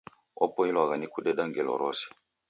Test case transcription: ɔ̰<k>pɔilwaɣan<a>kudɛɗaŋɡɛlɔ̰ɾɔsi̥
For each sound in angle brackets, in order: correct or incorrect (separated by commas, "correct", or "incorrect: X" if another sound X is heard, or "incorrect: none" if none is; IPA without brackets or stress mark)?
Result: incorrect: none, incorrect: i